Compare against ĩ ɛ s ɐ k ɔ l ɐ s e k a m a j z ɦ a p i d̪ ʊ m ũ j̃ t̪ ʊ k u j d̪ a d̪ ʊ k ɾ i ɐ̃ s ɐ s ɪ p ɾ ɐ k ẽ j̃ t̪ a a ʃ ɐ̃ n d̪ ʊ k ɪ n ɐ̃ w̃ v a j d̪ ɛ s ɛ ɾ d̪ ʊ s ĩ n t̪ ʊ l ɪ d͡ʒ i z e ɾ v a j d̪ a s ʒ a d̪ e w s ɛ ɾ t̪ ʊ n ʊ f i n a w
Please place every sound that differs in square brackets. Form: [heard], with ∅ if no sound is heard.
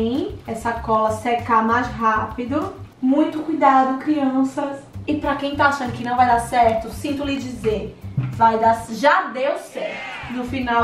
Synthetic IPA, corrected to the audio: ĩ ɛ s ɐ k ɔ l ɐ s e k a m a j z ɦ a p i d̪ ʊ m ũ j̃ t̪ ʊ k u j d̪ a d̪ ʊ k ɾ i ɐ̃ s ɐ s ɪ p ɾ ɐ k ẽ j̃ t̪ a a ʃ ɐ̃ n d̪ ʊ k ɪ n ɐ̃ w̃ v a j d̪ [a] s ɛ ɾ [t̪] ʊ s ĩ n t̪ ʊ l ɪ d͡ʒ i z e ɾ v a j d̪ a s ʒ a d̪ e w s ɛ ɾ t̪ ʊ n ʊ f i n a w